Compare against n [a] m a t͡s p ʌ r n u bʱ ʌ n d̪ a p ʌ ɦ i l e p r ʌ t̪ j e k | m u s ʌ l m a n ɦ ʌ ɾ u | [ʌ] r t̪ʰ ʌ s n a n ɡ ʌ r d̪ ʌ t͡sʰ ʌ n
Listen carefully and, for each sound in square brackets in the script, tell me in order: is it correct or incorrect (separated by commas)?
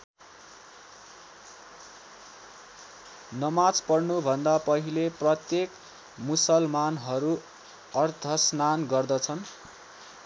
incorrect, correct